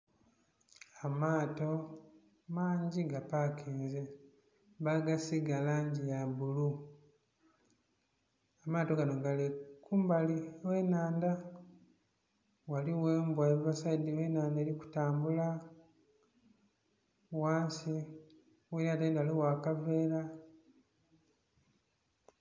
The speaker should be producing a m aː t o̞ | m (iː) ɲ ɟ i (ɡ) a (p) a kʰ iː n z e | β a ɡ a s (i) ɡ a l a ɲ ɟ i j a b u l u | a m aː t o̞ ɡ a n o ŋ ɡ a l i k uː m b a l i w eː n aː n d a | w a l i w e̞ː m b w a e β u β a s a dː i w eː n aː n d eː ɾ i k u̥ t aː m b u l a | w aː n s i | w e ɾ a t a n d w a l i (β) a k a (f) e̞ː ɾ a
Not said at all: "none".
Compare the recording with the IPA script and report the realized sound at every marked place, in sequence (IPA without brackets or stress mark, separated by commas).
aː, ɡ, p, i, w, v